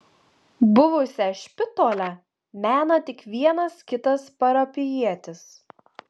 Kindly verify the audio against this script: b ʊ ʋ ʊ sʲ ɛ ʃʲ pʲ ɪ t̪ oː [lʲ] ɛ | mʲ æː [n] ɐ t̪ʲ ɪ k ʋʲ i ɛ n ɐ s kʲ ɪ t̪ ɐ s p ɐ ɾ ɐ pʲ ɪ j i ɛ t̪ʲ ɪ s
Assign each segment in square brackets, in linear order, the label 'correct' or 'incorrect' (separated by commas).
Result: correct, correct